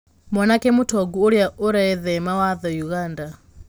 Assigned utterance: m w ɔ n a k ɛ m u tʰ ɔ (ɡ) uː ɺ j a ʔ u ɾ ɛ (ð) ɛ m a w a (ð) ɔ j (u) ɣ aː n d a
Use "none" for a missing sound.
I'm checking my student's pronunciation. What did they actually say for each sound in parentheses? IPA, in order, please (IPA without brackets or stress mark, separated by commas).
ɡ, ð, ð, u